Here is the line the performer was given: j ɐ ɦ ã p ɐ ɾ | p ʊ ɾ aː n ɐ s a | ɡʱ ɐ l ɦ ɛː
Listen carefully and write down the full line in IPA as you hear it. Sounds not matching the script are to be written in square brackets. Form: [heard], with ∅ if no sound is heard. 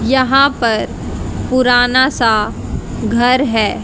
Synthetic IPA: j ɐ ɦ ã p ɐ ɾ | p ʊ ɾ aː n [a] s a | ɡʱ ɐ [ɾ] ɦ ɛː